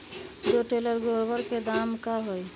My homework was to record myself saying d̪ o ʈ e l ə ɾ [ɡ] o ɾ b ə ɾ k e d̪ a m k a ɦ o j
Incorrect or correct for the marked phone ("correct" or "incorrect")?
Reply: correct